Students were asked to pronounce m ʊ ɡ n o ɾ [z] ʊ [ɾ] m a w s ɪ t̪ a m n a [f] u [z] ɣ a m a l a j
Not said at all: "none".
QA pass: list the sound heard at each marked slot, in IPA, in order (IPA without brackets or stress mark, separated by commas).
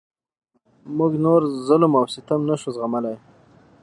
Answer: z, l, ʃ, z